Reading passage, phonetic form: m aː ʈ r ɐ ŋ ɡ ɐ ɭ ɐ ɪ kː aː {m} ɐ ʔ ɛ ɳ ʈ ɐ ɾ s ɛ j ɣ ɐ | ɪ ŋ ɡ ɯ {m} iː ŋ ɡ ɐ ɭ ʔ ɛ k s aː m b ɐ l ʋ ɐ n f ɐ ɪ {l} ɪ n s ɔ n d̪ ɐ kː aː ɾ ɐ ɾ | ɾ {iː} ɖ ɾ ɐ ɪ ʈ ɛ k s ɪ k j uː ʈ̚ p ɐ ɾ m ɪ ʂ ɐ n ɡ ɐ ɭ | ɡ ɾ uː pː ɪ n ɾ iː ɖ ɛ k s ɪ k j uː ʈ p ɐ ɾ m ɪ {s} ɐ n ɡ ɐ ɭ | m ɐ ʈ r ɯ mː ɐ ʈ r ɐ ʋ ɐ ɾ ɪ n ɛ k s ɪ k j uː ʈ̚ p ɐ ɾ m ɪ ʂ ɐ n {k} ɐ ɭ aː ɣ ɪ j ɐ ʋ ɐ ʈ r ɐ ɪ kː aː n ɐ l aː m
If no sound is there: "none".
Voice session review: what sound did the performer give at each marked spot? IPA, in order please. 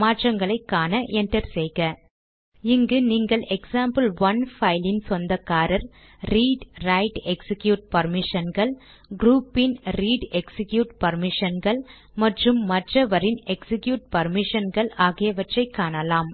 n, n, l, iː, ʂ, ɡ

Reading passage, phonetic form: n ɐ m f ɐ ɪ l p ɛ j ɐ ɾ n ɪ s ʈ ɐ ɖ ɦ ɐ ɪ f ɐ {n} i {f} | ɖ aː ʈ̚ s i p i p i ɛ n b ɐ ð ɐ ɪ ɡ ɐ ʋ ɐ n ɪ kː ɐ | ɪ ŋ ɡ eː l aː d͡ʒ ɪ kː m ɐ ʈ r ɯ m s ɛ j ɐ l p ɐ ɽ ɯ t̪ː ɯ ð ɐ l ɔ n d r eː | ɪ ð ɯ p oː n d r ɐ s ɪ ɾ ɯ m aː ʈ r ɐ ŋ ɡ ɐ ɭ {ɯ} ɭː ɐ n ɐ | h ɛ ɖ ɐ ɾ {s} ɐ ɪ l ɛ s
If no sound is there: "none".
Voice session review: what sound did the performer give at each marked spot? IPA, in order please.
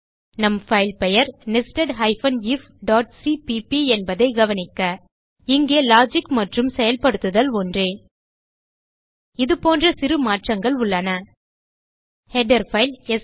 n, f, ʊ, f

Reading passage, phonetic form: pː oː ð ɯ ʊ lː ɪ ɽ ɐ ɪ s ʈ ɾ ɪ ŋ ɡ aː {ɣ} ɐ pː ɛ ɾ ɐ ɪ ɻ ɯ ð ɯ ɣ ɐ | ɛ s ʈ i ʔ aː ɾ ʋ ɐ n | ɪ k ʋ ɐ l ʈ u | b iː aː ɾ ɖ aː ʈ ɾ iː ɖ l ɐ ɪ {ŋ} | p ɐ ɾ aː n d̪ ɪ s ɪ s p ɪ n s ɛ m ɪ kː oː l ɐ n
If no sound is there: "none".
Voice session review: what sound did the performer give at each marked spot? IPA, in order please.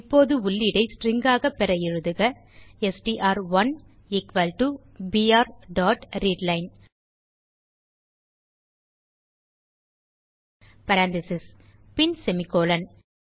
ɣ, n

